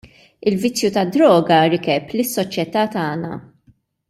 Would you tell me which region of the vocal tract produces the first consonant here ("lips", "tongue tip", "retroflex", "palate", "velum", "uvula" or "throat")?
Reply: tongue tip